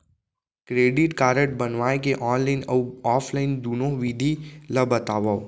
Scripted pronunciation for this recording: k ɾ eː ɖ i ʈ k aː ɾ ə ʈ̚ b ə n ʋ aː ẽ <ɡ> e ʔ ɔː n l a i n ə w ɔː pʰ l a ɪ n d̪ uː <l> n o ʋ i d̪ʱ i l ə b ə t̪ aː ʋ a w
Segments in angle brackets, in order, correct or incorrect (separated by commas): incorrect, incorrect